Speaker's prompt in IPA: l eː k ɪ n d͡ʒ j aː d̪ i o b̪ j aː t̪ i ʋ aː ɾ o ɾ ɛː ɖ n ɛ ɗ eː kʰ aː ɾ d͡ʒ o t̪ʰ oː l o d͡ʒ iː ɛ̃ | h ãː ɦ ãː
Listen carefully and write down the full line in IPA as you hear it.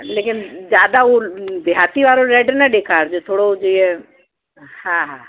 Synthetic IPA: l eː k ɪ n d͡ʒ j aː d̪ a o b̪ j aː t̪ i ʋ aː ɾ o ɾ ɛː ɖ n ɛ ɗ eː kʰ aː ɾ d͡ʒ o t̪ʰ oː ɽ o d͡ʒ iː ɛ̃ | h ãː ɦ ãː